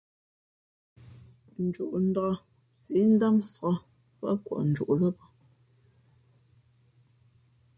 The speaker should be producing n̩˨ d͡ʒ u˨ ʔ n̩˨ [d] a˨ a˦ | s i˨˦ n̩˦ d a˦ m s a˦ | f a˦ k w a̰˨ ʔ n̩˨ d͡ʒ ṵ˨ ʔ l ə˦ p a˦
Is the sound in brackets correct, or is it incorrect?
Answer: correct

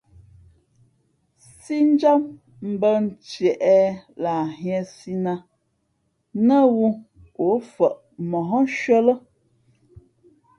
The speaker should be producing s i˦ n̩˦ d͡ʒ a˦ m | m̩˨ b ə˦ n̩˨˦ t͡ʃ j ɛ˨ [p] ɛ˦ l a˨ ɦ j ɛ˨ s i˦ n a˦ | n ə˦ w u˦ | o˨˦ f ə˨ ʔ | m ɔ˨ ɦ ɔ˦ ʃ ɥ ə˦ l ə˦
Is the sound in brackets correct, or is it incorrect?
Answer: incorrect: ʔ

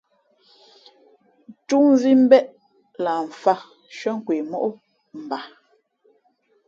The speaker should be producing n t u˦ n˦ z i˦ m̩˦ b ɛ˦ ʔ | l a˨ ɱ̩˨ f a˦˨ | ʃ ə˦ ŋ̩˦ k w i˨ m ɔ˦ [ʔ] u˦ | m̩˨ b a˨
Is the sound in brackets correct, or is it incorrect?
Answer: correct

